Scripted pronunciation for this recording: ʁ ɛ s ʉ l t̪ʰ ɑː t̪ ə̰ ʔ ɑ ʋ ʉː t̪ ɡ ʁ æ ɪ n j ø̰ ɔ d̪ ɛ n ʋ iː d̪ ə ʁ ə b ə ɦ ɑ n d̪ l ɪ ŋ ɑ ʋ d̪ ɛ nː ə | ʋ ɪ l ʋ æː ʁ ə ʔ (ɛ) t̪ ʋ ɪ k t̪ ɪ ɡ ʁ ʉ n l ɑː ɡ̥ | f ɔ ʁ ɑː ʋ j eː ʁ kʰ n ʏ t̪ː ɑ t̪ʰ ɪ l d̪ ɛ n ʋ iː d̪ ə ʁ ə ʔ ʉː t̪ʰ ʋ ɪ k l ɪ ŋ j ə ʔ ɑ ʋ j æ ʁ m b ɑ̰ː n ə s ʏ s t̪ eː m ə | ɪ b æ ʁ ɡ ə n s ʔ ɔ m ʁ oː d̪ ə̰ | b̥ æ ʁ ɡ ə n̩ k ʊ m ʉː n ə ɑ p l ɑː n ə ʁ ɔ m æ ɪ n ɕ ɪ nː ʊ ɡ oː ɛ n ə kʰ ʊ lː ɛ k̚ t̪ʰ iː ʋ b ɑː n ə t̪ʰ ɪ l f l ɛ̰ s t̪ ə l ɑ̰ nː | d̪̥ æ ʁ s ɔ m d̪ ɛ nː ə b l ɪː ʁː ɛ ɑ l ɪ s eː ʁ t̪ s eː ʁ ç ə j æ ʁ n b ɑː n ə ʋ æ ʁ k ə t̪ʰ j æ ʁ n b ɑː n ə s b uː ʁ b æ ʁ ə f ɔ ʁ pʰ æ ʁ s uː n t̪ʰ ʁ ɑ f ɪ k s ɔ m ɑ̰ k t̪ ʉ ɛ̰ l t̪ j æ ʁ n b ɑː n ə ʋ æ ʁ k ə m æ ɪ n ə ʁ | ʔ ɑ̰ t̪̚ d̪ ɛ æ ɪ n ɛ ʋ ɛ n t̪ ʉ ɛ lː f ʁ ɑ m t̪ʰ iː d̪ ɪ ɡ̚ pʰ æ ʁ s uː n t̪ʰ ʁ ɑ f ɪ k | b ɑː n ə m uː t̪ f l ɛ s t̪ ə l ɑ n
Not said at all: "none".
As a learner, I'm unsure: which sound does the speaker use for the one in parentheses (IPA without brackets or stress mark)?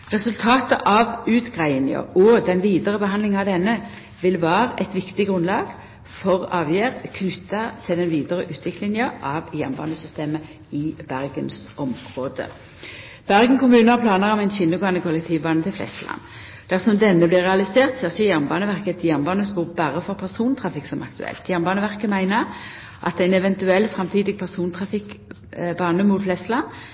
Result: ɛ